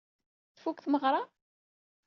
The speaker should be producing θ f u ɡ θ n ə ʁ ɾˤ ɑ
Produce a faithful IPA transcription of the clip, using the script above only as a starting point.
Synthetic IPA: θ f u k θ m ə ʁ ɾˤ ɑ